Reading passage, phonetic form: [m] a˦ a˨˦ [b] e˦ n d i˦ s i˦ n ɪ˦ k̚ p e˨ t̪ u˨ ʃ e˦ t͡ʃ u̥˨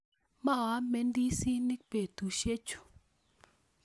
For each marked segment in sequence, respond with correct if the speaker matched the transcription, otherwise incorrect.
correct, incorrect

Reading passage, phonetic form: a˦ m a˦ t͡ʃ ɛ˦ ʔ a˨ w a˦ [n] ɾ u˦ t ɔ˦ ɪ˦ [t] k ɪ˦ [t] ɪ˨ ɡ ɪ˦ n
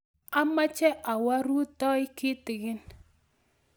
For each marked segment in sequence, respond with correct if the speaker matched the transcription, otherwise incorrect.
incorrect, incorrect, correct

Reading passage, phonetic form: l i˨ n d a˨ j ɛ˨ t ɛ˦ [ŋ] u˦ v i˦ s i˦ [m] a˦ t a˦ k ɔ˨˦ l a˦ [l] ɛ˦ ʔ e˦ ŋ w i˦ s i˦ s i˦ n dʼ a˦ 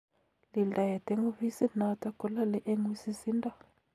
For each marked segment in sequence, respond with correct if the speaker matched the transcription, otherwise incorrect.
correct, incorrect, correct

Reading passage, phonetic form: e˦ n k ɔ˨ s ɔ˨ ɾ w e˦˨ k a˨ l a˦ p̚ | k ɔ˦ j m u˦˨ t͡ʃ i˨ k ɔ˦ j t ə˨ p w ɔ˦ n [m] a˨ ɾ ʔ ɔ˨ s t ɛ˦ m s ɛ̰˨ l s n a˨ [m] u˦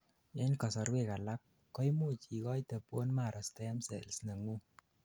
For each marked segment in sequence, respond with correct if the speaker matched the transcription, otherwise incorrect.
correct, incorrect

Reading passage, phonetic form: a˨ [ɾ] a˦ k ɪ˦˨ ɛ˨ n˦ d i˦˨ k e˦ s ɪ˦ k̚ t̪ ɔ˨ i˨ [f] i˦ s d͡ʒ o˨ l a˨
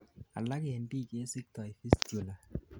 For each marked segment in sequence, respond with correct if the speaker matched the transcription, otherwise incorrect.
incorrect, correct

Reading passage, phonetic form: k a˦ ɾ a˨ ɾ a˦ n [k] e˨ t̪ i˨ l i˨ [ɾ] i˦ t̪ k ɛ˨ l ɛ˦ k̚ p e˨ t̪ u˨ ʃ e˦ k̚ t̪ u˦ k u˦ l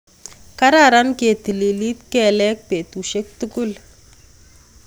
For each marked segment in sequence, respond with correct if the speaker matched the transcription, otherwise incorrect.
correct, incorrect

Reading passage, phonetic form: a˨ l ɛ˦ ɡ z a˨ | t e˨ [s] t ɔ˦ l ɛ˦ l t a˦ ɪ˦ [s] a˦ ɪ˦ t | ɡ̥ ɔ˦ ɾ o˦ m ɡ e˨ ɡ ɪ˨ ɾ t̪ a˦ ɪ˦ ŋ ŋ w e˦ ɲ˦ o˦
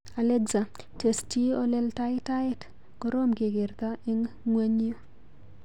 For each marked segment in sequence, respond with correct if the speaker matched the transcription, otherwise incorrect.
correct, incorrect

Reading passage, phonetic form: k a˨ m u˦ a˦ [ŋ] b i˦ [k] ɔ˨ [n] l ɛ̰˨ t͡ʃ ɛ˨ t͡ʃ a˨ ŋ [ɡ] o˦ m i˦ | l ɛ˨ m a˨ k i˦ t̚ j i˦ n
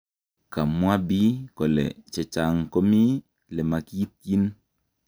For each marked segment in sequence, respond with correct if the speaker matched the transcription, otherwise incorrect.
incorrect, correct, incorrect, incorrect

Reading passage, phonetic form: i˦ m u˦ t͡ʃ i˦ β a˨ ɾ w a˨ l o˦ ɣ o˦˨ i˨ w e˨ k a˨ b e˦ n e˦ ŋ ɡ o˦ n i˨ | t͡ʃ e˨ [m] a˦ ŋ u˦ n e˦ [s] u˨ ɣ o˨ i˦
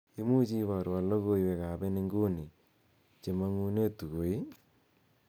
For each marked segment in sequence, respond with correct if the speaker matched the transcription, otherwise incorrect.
correct, incorrect

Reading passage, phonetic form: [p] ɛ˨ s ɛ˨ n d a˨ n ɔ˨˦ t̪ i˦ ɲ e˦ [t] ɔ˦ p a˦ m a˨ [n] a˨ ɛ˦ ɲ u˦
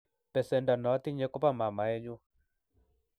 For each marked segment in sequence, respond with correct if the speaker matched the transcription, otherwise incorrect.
correct, incorrect, incorrect

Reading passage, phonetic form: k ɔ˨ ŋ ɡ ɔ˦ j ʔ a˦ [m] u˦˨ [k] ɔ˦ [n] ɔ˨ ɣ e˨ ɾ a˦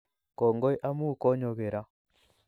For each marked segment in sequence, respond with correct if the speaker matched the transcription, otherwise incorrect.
correct, correct, incorrect

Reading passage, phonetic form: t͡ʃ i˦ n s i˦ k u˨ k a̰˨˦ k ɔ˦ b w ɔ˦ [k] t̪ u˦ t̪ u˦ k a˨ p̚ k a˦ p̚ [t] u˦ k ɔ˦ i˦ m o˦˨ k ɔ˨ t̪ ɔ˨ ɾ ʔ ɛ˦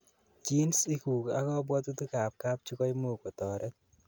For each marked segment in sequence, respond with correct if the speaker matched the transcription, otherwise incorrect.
incorrect, incorrect

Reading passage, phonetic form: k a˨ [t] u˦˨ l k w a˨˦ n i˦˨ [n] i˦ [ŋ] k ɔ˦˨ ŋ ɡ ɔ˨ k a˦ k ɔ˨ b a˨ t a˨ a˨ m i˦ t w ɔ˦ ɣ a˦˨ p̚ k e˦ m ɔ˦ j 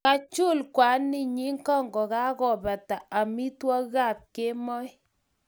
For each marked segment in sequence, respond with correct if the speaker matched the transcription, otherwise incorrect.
incorrect, incorrect, correct

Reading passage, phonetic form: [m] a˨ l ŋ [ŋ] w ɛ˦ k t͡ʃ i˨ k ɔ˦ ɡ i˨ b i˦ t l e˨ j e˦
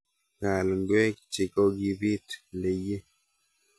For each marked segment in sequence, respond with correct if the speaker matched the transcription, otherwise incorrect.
incorrect, incorrect

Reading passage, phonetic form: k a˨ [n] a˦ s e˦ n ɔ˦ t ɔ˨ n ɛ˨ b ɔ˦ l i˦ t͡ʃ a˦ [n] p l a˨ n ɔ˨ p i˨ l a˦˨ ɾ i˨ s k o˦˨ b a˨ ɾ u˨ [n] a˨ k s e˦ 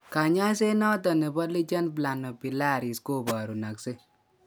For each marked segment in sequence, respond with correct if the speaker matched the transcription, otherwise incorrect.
incorrect, correct, correct

